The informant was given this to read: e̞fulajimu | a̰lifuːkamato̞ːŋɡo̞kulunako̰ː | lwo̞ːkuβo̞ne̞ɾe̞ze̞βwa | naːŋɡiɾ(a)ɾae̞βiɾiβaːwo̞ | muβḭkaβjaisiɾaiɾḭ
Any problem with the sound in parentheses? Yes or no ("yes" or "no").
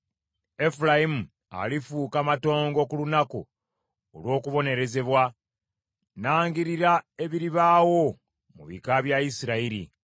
yes